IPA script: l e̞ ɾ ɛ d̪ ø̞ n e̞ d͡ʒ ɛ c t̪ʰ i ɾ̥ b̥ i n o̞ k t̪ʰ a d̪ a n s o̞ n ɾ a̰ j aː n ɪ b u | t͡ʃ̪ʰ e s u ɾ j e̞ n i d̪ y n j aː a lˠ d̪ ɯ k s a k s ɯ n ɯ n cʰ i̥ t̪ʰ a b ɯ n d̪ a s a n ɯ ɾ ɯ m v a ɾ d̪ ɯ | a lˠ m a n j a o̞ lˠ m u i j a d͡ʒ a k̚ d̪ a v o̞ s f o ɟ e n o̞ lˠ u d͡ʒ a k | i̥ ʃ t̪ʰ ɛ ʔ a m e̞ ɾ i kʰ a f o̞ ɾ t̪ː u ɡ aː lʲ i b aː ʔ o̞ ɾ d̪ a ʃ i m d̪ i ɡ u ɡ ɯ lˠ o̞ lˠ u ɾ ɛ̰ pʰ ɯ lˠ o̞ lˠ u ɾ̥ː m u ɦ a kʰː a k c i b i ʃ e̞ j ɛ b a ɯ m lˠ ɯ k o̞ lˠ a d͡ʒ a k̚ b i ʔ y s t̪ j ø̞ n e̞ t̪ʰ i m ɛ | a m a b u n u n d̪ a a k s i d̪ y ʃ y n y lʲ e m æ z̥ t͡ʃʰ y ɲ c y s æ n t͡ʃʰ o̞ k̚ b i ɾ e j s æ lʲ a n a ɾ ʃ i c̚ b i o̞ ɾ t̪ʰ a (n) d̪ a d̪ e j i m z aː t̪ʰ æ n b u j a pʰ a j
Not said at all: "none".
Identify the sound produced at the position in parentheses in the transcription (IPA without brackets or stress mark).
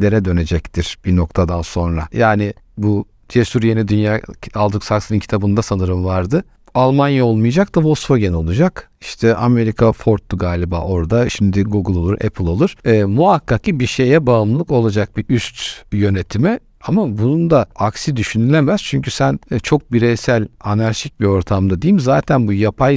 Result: m